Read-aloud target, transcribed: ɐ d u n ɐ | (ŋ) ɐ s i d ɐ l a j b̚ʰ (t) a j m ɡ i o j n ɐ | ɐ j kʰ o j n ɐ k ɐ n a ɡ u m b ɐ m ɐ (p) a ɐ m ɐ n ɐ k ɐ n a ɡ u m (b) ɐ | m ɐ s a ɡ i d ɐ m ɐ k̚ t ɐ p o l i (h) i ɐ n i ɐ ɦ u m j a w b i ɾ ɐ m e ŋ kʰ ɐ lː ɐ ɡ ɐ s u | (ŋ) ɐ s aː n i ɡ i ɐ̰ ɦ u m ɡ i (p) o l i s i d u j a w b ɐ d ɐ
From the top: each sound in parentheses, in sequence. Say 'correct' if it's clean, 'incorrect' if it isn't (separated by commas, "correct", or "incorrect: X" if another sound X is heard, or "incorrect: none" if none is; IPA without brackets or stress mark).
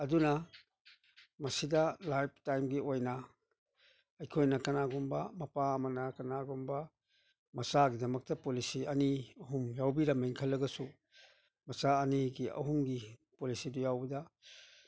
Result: incorrect: m, correct, correct, correct, incorrect: s, incorrect: m, correct